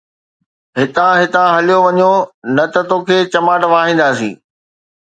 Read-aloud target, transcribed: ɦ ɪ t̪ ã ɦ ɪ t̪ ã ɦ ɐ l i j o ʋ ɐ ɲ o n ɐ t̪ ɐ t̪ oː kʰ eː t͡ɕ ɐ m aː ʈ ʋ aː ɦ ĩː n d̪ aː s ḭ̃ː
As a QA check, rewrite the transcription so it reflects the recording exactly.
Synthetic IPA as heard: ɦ ɪ t̪ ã ɦ ɪ t̪ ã ɦ ɐ l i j o ʋ ɐ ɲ o n ɐ t̪ ɐ t̪ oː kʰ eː t͡ɕ ɐ m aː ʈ ʋ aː ɦ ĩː n d̪ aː s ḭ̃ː

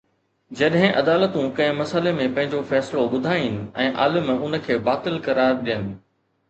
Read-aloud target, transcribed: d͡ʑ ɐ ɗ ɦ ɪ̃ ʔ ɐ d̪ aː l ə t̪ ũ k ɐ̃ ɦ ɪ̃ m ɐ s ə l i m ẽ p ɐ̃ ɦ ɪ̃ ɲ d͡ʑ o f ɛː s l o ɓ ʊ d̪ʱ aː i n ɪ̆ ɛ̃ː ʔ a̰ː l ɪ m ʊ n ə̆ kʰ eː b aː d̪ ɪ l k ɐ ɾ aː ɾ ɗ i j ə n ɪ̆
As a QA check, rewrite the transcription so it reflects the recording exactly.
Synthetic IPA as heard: d͡ʑ ɐ ɗ ɦ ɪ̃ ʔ ɐ d̪ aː l ə t̪ ũ k ɐ̃ ɦ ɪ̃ m ɐ s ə l e m ẽ p ɐ̃ ɦ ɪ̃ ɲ d͡ʑ o f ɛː s l o ɓ ʊ d̪ʱ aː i n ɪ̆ ɛ̃ː ʔ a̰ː l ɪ m ʊ n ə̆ kʰ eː b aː t̪ ɪ l k ɐ ɾ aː ɾ ɗ i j ə n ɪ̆

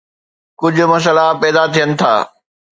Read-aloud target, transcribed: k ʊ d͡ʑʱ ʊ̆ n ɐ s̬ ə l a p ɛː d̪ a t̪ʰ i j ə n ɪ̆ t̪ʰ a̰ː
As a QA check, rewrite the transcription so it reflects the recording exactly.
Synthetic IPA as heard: k ʊ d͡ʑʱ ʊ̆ m ɐ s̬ ə l a p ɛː d̪ a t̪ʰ i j ə n ɪ̆ t̪ʰ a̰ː

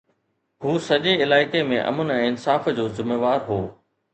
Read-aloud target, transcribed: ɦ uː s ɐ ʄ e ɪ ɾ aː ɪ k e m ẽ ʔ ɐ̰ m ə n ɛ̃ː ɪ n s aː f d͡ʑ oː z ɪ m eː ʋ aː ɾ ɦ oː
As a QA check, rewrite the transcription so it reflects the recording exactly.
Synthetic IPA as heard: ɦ uː s ɐ ʄ e ɪ l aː ɪ k e m ẽ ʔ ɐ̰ m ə n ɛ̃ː ɪ n s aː f d͡ʑ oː z ɪ m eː ʋ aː ɾ ɦ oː

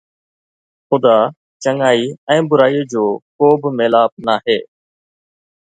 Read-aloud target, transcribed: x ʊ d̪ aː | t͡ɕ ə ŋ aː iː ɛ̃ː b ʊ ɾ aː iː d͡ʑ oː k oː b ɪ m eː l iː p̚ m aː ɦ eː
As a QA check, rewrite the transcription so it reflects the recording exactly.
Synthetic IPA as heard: x ʊ d̪ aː | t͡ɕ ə ŋ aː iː ɛ̃ː b ʊ ɾ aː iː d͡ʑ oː k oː b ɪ m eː l aː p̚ n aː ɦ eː

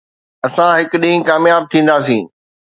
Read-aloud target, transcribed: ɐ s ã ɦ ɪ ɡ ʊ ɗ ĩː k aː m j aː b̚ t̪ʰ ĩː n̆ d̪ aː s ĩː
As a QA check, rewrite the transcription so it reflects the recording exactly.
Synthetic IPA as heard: ɐ s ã ɦ ɪ k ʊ ɗ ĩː k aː m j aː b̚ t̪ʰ ĩː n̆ d̪ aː s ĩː

